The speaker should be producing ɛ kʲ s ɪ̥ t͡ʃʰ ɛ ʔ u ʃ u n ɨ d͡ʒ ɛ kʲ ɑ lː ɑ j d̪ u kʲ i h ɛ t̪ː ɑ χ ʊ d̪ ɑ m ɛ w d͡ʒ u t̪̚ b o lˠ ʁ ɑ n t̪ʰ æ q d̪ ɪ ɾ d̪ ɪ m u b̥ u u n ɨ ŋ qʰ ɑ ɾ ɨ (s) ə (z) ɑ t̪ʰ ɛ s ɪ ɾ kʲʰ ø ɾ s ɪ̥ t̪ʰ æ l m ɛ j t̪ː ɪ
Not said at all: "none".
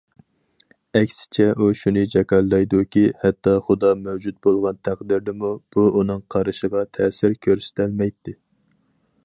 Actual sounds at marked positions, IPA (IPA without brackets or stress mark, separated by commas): ʃ, ʁ